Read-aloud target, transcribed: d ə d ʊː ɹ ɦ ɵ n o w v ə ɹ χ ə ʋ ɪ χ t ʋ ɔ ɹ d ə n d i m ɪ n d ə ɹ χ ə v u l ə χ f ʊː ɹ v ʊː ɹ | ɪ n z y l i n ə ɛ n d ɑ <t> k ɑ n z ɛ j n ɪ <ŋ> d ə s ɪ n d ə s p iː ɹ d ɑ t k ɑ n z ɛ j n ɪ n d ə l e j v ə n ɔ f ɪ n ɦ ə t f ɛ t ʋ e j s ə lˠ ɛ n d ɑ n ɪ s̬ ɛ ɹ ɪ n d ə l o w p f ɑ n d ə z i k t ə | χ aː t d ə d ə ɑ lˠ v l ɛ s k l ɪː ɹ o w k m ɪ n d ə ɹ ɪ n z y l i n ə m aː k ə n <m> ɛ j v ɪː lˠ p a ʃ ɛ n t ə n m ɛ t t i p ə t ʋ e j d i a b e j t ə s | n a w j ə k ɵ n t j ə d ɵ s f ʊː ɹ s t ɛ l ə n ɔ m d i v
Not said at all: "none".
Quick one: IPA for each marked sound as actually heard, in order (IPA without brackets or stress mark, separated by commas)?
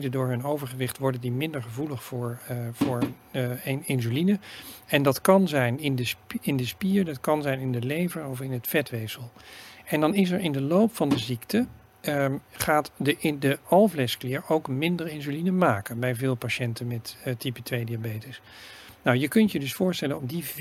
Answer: t, n, b